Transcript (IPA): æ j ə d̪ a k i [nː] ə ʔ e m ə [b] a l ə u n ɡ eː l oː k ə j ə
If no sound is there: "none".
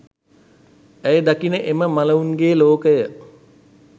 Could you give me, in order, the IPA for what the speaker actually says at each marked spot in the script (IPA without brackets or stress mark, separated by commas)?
n, m